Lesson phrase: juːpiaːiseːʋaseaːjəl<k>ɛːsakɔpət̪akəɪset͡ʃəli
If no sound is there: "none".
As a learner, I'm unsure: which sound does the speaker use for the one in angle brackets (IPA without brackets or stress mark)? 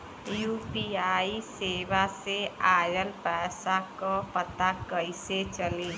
p